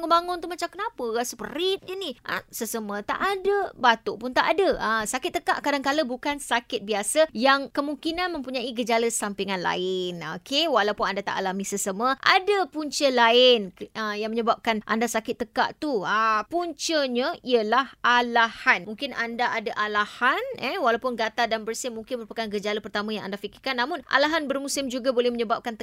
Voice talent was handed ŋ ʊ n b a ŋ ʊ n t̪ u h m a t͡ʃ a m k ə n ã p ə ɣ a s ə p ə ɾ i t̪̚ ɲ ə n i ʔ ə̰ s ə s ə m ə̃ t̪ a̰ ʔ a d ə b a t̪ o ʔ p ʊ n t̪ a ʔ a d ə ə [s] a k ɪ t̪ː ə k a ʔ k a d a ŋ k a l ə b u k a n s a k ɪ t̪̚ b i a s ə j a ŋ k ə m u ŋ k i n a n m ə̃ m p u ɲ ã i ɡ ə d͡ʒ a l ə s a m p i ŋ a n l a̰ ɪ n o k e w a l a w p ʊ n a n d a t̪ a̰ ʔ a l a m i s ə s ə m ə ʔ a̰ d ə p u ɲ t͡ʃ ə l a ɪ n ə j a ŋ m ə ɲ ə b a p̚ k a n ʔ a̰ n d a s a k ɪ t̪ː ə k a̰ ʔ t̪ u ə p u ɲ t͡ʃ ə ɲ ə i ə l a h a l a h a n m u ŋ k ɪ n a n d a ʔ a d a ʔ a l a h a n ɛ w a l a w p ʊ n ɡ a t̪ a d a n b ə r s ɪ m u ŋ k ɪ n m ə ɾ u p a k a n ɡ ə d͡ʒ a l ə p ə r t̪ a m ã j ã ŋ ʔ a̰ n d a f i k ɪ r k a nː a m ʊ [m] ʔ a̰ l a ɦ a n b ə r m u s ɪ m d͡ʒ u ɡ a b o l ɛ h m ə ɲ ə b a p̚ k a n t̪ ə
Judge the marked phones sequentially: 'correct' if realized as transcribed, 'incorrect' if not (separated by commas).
correct, incorrect